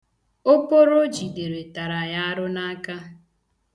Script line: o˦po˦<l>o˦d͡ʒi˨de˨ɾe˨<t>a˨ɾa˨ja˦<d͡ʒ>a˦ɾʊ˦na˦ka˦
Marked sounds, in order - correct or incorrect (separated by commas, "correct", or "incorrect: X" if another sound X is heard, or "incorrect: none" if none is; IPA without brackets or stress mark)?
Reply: incorrect: ɾ, correct, incorrect: none